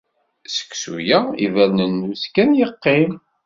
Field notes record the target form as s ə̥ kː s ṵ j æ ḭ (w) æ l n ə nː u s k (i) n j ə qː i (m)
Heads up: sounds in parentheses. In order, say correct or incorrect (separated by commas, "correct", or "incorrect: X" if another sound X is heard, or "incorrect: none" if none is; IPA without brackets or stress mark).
incorrect: v, incorrect: æ, correct